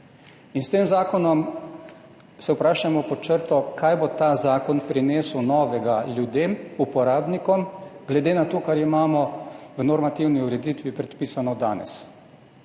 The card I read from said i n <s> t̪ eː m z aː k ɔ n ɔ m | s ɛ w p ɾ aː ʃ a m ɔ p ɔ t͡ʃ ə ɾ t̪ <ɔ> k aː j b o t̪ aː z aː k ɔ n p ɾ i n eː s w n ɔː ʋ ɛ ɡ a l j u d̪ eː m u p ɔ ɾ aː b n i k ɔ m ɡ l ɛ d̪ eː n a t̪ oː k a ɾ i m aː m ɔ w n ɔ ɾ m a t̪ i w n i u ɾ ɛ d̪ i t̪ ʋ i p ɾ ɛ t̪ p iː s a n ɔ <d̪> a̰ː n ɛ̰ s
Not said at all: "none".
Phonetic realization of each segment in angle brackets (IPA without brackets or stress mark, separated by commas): s, ɔ, d̪